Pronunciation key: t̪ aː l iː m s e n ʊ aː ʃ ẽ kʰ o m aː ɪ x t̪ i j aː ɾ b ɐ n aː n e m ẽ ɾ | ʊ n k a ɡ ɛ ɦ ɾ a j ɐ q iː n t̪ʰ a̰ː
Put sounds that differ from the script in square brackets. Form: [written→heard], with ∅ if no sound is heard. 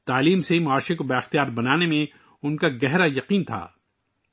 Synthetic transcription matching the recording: t̪ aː l iː m s e [n→m] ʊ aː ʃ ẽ [kʰ→k] o [m→b] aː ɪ x t̪ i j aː ɾ b ɐ n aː n e m ẽ [ɾ→∅] | ʊ n k a ɡ ɛ ɦ ɾ a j ɐ q iː n t̪ʰ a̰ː